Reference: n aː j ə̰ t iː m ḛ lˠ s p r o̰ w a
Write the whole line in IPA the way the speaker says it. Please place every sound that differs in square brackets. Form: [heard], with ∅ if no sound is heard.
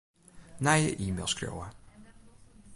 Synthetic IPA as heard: n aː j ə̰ [ʔ] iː m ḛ lˠ s [k] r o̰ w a